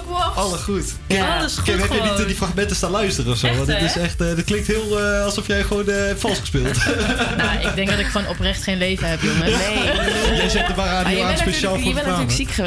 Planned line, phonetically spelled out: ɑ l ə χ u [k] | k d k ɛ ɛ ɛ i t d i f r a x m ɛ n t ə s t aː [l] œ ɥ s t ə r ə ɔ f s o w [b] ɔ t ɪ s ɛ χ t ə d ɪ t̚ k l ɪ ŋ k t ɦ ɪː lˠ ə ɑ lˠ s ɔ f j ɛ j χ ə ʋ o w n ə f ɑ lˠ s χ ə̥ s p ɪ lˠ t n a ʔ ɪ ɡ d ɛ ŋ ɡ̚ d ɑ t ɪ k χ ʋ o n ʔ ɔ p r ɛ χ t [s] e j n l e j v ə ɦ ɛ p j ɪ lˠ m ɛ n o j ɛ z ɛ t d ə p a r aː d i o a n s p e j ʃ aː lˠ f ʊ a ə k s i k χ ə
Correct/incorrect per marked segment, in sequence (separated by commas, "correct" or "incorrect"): incorrect, correct, incorrect, incorrect